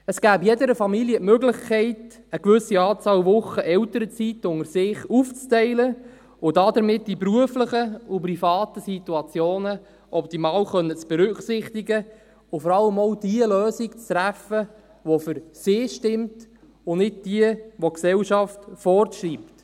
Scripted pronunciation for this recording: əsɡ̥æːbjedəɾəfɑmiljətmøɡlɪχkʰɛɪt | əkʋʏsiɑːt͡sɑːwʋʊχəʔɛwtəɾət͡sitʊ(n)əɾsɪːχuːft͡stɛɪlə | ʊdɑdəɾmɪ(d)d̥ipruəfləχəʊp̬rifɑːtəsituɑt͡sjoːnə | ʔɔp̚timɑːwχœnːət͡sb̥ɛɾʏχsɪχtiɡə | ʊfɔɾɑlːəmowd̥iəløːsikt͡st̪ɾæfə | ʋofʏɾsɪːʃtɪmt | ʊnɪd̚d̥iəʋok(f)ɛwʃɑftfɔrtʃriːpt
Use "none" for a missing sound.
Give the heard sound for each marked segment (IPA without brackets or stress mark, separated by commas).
ŋ, t, s